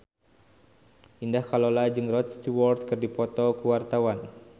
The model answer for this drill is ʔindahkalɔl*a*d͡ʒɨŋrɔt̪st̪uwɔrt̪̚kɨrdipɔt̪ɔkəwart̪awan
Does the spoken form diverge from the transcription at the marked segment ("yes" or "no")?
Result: no